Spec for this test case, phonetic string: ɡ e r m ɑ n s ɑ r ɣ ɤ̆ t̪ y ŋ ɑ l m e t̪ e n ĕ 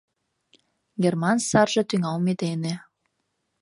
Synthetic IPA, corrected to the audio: ɡ e r m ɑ n s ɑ r ʒ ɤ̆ t̪ y ŋ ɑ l m e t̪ e n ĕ